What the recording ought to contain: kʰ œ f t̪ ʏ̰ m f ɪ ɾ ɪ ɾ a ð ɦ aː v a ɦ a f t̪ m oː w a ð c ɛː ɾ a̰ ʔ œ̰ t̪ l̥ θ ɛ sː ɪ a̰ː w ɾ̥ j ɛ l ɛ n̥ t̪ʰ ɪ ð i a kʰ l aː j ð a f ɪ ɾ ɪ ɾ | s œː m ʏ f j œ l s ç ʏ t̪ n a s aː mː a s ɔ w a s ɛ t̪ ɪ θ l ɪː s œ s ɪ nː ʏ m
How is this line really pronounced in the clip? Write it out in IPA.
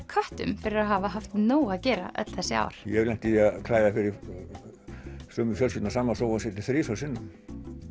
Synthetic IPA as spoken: kʰ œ h t̪ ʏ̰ m f ɪ ɾ ɪ ɾ a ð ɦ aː v a ɦ a f t̪ n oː w a ð c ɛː ɾ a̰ ʔ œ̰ t̪ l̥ θ ɛ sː ɪ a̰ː w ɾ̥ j ɛ l ɛ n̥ t̪ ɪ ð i a kʰ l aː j ð a f ɪ ɾ ɪ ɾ | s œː m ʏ f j œ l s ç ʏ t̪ n a s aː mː a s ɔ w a s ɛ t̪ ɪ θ ɾ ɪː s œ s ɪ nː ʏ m